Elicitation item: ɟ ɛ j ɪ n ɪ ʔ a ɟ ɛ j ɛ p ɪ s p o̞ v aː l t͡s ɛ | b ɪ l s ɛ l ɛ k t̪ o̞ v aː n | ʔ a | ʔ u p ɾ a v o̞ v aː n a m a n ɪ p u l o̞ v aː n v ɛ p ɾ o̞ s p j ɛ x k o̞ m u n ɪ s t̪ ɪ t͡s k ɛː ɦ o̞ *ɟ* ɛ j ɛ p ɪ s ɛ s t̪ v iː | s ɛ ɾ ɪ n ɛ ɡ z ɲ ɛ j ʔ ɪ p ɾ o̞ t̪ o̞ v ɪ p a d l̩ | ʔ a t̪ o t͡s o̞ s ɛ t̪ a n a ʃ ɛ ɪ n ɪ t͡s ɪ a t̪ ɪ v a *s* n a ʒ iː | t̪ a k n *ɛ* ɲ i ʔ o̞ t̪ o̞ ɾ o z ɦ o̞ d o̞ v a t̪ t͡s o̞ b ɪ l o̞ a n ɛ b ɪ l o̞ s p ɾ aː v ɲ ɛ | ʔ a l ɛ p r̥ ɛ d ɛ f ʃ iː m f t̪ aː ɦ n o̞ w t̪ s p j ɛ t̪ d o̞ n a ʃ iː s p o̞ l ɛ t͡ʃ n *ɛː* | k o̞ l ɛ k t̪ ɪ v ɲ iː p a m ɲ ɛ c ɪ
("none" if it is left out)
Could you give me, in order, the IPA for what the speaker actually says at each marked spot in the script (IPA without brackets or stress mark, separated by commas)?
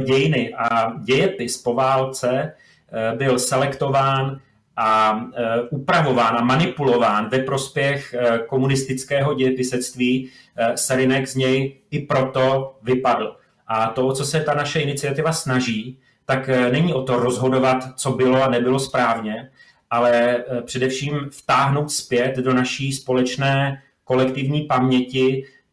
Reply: ɟ, s, ɛ, ɛː